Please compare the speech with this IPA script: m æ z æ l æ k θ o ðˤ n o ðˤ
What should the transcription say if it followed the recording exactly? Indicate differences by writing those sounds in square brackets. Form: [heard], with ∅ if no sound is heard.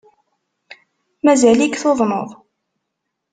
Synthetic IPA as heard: m æ z æ l [i] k θ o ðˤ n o ðˤ